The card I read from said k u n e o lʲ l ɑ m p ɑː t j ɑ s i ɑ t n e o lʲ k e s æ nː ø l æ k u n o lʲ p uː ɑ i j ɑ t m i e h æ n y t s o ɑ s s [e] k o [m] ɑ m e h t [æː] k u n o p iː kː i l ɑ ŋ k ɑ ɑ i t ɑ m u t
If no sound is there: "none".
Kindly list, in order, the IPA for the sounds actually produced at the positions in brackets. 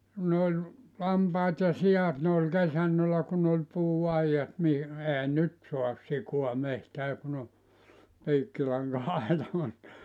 i, none, æː

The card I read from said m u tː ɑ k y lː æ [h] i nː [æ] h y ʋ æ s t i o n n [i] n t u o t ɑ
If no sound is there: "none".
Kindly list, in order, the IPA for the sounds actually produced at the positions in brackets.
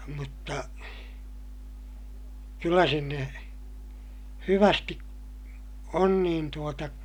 s, e, iː

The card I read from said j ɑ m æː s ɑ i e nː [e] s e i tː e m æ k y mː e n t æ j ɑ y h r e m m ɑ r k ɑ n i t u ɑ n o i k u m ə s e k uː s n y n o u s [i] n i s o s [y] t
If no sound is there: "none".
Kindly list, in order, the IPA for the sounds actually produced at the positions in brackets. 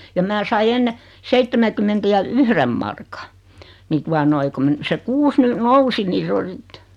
e, i, i

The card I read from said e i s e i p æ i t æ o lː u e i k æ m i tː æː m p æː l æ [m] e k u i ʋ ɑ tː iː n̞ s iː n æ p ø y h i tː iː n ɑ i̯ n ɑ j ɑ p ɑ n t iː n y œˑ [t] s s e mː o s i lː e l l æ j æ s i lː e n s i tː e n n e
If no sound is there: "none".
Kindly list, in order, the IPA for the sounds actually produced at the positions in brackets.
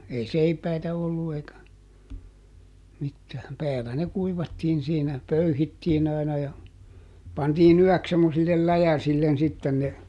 n, k

